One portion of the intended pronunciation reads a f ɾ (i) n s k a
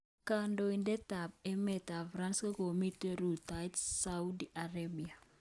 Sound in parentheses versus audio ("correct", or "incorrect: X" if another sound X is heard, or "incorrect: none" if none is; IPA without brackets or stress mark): incorrect: a